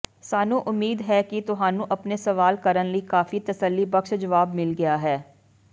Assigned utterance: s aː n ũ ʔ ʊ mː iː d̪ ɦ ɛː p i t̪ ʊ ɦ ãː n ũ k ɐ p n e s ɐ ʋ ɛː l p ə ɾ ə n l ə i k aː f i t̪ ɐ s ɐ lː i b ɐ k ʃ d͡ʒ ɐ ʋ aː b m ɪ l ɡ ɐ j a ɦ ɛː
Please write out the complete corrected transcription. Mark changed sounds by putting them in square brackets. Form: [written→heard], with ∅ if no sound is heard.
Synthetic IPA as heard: s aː n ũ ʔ ʊ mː iː d̪ ɦ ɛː [p→k] i t̪ ʊ ɦ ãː n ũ [k→ʔ] ɐ p n e s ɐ ʋ [ɛː→aː] l [p→k] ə ɾ ə n l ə i k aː f i t̪ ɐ s [ɐ→ə] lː i b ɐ k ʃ d͡ʒ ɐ ʋ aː b m ɪ l ɡ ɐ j a ɦ ɛː